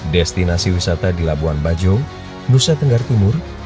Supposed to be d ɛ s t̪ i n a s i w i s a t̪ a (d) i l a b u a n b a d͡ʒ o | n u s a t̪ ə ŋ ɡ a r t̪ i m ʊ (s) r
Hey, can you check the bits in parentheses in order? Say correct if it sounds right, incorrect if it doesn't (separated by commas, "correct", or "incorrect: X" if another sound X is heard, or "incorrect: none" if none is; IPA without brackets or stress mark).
correct, incorrect: none